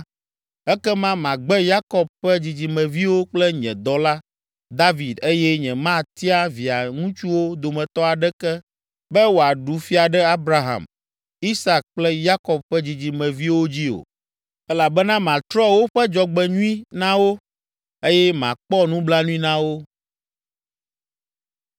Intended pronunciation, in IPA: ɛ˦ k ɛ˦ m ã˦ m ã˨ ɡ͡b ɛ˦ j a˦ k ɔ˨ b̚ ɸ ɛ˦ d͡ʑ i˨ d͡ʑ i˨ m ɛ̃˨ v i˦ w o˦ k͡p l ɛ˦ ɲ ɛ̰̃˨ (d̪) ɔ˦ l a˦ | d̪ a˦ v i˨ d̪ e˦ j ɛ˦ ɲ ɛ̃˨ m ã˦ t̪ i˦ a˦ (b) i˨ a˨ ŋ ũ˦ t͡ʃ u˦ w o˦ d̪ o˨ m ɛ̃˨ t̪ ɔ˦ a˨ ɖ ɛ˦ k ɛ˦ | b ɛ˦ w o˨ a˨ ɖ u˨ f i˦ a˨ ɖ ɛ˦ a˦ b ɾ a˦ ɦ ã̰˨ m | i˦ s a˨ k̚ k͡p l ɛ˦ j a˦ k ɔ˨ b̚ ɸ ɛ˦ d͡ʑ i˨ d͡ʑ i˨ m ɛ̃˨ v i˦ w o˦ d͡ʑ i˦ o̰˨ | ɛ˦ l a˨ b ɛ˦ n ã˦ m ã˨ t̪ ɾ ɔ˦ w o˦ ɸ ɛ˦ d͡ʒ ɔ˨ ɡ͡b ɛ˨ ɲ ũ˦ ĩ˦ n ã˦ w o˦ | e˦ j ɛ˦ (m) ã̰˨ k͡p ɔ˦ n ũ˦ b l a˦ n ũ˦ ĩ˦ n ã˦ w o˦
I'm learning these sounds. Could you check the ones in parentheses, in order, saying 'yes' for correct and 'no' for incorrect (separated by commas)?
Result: yes, no, yes